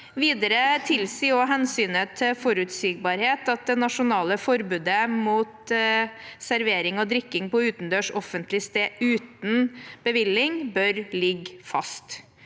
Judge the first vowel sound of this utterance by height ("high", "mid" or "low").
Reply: high